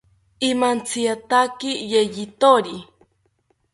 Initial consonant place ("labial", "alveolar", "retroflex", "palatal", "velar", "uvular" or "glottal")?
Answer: labial